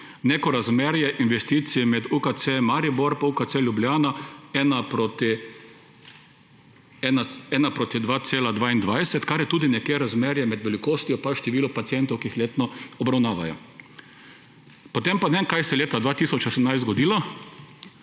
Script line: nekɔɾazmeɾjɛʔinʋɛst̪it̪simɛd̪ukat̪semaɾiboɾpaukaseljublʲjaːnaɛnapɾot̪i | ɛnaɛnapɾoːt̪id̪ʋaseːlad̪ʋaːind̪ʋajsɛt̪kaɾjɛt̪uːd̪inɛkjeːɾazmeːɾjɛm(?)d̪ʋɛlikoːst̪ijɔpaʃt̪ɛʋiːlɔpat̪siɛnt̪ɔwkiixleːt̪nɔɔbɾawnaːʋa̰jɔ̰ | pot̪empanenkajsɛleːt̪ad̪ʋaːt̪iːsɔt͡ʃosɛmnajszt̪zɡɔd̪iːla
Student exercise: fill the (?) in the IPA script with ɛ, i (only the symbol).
ɛ